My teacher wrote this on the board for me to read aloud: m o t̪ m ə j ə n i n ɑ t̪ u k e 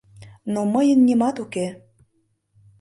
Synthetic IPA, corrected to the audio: n o m ə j ə nː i m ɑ t̪ u k e